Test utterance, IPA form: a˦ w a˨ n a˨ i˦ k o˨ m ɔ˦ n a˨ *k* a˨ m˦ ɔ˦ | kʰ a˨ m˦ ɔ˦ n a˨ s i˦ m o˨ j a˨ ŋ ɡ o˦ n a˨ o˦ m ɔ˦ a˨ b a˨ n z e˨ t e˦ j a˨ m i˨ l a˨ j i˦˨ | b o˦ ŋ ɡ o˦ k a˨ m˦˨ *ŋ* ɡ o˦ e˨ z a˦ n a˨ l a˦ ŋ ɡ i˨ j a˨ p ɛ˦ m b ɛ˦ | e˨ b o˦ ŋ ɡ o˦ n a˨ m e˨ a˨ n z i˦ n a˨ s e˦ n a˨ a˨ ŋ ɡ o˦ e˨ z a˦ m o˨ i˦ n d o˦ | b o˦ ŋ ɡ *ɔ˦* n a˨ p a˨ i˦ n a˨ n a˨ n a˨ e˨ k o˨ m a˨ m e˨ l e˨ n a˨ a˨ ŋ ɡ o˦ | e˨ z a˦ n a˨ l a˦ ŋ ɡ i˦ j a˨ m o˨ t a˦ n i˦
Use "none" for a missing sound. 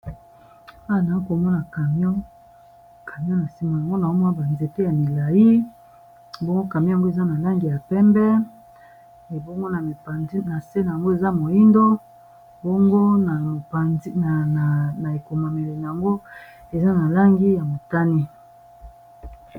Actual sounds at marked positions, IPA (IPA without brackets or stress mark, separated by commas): k, ŋ, o˦